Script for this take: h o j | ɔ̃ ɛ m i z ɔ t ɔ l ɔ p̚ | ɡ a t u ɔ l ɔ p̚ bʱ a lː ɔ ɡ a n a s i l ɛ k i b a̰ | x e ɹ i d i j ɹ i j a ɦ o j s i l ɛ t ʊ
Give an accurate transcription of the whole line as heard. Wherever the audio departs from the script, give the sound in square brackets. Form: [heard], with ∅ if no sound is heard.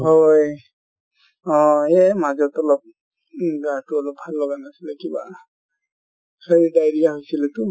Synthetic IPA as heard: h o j | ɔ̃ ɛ m [a] z ɔ t ɔ l ɔ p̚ | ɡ a t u ɔ l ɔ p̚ bʱ a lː ɔ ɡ a n a s i l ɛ k i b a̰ | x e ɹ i d [a] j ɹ i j a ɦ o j s i l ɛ t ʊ